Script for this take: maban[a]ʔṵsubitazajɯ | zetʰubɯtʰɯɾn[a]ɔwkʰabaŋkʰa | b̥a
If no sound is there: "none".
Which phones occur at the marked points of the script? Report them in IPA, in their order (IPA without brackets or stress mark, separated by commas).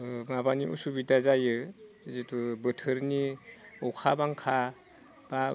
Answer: i, i